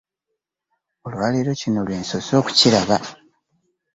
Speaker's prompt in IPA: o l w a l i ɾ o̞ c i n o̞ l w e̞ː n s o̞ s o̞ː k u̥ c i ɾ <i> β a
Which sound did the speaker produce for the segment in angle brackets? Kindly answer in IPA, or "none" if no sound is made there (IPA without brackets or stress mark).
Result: a